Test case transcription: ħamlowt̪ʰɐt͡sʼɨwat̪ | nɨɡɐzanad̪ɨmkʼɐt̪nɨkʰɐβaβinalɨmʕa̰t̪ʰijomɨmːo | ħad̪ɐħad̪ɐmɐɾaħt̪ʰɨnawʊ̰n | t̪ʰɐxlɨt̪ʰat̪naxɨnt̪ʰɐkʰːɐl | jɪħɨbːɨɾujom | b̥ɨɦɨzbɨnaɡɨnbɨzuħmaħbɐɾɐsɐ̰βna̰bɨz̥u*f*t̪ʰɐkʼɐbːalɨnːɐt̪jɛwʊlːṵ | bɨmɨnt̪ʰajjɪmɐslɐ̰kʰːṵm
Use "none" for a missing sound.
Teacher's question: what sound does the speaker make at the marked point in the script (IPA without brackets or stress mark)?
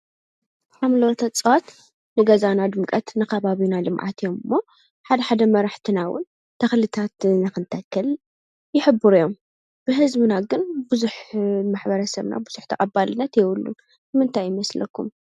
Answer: ħ